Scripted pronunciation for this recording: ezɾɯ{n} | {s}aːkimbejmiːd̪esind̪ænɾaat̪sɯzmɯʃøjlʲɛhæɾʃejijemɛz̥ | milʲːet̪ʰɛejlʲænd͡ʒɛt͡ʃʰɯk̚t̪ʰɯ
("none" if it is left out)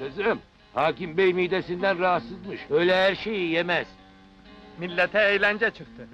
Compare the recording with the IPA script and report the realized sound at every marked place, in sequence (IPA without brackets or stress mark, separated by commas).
m, h